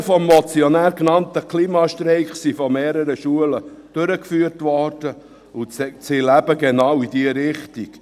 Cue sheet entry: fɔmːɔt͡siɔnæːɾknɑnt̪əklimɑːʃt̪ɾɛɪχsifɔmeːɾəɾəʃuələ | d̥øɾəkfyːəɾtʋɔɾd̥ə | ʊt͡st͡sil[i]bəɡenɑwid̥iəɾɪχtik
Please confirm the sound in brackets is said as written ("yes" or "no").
no